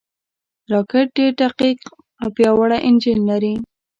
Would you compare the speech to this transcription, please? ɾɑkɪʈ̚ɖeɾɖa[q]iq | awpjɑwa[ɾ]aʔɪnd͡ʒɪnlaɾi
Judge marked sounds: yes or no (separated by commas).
yes, no